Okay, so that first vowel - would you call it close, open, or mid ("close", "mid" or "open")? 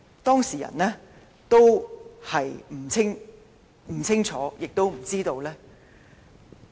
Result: mid